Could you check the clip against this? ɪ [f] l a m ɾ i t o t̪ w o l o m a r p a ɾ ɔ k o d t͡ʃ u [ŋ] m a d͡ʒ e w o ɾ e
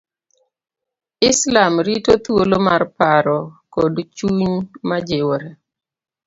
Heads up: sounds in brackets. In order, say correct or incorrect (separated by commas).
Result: incorrect, incorrect